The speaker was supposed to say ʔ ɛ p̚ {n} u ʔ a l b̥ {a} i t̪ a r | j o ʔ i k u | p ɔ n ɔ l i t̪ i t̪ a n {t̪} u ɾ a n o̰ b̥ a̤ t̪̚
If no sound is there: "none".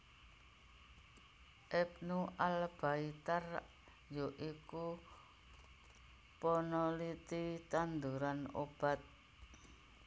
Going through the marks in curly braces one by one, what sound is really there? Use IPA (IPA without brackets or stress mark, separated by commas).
n, a, d̪